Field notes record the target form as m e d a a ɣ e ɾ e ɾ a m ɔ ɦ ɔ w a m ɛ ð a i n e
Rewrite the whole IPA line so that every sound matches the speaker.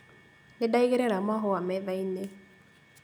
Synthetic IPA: n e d a i ɣ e ɾ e ɾ a m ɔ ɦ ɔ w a m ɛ ð a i n e